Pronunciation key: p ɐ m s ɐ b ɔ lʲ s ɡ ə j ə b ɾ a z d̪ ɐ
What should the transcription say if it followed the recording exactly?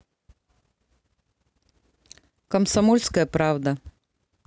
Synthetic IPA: k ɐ m s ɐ m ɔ lʲ s k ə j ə p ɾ a v d̪ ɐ

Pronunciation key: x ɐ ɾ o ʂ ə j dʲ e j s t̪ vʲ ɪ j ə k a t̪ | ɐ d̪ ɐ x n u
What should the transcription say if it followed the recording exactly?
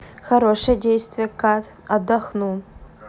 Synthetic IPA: x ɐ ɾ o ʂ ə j dʲ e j s t̪ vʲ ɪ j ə k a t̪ | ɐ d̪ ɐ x n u

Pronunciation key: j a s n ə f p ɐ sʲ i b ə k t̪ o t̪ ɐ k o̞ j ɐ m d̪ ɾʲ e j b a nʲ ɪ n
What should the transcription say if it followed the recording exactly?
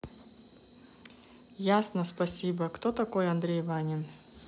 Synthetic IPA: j a s n ə s p ɐ sʲ i b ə k t̪ o t̪ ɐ k o̞ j ɐ n d̪ ɾʲ e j v a nʲ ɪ n

